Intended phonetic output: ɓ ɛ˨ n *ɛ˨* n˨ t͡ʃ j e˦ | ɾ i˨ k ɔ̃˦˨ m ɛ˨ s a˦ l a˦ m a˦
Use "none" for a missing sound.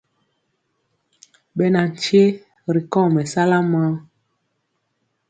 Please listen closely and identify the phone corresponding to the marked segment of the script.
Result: a˨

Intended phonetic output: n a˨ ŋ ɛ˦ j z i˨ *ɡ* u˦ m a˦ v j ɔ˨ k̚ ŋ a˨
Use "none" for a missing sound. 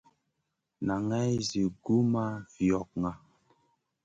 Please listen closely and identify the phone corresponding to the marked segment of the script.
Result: ɡ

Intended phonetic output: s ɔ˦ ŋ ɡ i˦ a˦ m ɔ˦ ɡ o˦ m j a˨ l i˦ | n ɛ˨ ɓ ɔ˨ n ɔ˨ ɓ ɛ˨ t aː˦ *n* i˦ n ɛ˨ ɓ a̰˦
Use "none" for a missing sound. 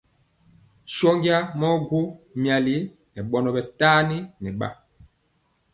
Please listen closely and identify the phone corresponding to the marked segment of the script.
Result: n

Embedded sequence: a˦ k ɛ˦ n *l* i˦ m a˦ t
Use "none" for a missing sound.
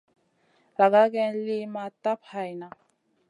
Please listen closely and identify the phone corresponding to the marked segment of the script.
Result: l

